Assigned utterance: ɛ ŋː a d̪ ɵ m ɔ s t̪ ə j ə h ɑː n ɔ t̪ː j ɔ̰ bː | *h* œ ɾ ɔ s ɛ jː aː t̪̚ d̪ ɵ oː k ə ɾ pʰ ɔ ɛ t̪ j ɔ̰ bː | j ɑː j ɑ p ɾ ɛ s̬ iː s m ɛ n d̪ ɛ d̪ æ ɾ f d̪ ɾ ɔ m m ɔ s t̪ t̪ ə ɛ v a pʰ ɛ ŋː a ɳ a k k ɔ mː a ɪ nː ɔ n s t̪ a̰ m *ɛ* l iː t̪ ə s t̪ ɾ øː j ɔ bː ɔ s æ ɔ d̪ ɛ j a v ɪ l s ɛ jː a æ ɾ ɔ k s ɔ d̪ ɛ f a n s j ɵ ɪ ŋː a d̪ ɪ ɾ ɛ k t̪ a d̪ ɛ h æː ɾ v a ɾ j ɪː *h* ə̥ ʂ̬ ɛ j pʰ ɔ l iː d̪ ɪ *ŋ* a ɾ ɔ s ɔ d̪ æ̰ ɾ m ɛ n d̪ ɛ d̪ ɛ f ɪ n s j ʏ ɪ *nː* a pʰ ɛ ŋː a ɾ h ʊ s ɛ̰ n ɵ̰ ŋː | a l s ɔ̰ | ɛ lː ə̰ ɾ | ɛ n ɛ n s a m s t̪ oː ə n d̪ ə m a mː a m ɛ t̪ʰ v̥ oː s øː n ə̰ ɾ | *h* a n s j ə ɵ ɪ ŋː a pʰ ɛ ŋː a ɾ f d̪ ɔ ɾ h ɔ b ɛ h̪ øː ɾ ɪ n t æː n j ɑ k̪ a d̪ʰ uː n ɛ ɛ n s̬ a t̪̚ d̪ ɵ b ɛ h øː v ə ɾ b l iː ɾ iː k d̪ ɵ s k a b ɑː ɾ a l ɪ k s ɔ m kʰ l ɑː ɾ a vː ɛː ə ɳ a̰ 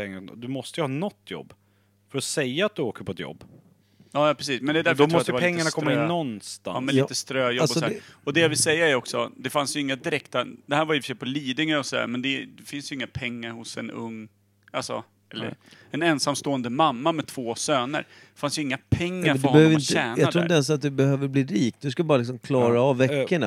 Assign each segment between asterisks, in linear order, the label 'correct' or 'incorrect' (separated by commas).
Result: incorrect, correct, incorrect, correct, incorrect, incorrect